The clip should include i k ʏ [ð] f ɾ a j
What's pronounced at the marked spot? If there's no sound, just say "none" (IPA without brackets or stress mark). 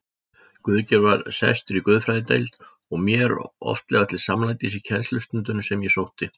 ð